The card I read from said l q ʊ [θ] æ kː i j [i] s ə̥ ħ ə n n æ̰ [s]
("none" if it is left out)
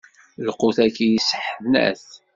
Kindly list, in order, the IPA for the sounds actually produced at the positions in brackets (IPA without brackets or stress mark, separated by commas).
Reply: θ, i, θ